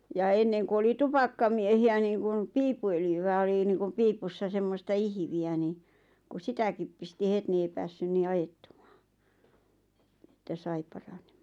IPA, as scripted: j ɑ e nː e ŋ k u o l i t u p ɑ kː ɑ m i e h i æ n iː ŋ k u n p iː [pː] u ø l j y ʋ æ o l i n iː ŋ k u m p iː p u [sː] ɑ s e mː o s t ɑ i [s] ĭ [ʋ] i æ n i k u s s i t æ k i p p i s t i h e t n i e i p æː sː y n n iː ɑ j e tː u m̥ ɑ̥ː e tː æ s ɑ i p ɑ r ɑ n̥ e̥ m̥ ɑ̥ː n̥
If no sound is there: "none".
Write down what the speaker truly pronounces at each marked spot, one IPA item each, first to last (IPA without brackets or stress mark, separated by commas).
pː, sː, h, ʋ